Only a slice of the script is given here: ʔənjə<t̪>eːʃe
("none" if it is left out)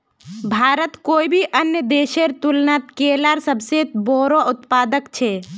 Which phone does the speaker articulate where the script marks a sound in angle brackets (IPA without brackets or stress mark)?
d̪